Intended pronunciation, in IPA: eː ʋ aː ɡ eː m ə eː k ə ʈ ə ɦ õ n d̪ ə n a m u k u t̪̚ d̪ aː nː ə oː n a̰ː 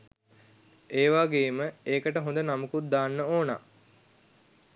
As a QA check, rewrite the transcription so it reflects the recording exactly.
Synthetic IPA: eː ʋ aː ɡ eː m ə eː k ə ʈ ə ɦ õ n d̪ ə n a m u k u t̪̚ d̪ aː nː ə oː n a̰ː